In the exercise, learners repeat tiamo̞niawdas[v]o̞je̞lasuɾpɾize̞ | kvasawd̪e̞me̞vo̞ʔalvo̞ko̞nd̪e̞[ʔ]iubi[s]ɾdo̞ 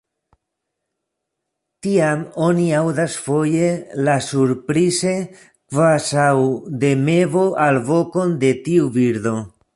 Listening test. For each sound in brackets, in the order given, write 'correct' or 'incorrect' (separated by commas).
incorrect, incorrect, incorrect